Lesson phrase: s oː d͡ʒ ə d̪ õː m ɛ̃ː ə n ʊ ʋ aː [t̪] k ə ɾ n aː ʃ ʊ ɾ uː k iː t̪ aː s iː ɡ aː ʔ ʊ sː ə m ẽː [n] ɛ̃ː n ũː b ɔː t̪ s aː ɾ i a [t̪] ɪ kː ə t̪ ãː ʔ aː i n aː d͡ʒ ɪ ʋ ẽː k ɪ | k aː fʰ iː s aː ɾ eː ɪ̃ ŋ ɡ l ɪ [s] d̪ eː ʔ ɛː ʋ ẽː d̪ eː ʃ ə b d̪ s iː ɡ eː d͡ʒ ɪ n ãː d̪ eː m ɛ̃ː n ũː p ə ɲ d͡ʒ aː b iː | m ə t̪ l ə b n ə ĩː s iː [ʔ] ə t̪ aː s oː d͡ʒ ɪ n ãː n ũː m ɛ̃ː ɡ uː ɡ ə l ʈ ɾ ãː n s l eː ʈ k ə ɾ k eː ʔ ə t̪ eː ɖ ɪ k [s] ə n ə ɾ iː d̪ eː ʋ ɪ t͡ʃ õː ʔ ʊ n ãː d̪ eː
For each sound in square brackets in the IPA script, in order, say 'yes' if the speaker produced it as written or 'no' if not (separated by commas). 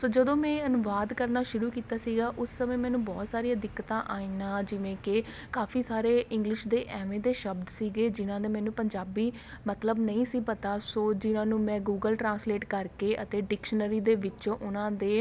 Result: no, no, no, no, no, no